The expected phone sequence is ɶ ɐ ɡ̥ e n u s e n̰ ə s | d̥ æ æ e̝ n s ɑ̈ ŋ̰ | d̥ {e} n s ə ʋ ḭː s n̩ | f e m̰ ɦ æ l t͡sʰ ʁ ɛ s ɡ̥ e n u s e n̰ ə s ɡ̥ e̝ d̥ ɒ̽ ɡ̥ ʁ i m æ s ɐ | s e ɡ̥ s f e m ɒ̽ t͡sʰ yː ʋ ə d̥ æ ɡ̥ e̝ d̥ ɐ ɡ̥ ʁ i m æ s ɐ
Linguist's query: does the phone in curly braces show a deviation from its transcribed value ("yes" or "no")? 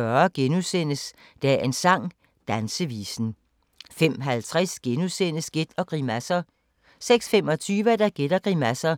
yes